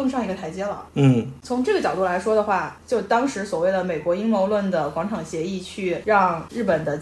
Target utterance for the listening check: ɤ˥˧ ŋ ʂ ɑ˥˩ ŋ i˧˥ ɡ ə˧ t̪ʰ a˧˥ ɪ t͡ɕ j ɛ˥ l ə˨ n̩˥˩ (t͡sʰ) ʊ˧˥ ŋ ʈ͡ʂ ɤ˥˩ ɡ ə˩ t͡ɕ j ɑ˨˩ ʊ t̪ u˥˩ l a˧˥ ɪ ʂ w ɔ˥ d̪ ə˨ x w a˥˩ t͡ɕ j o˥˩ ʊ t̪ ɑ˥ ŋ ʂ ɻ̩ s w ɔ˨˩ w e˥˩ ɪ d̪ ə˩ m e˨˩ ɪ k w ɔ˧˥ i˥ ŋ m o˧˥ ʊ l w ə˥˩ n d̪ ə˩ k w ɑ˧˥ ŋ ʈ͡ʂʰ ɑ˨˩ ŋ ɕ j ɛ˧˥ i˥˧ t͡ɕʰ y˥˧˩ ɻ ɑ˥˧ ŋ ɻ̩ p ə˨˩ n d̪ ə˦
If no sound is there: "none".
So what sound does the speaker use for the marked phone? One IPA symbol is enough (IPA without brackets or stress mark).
t͡sʰ